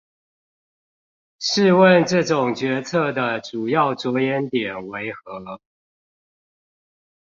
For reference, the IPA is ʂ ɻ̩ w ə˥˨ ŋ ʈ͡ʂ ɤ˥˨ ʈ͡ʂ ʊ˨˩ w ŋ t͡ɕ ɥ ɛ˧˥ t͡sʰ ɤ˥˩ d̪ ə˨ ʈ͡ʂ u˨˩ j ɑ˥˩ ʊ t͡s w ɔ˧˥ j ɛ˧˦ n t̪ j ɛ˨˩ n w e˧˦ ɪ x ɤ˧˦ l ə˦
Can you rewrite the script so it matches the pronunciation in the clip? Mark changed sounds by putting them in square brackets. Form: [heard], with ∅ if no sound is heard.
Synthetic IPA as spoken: ʂ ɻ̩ w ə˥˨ [n] ʈ͡ʂ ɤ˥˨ ʈ͡ʂ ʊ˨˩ [∅] ŋ t͡ɕ ɥ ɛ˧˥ t͡sʰ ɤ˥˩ d̪ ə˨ ʈ͡ʂ u˨˩ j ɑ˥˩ ʊ t͡s w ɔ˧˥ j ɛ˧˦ n t̪ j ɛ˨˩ n w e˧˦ ɪ x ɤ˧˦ l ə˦